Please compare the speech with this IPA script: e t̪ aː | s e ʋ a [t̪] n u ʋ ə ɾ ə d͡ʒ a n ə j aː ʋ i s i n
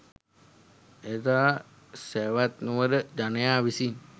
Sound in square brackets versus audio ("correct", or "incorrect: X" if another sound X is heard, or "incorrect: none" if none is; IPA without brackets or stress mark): correct